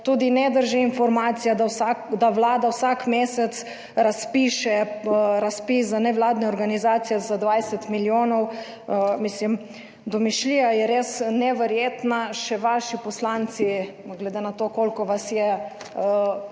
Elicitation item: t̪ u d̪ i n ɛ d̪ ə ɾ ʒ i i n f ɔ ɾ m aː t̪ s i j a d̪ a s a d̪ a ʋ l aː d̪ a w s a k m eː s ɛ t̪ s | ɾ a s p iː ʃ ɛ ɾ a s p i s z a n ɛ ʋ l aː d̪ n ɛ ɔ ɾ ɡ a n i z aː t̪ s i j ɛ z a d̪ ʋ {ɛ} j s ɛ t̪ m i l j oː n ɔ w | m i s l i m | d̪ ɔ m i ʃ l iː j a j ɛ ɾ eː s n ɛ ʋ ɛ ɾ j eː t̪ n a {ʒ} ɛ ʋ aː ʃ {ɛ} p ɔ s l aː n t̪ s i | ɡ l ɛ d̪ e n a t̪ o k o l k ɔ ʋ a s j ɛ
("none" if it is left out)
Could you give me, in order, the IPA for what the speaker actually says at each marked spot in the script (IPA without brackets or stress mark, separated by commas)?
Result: a, ʃ, i